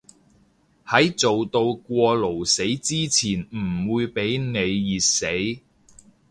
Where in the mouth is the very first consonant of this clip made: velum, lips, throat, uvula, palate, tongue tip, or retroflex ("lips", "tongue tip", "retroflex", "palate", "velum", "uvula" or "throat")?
throat